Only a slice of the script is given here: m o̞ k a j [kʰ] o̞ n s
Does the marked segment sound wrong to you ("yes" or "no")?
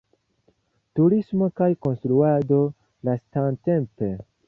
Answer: yes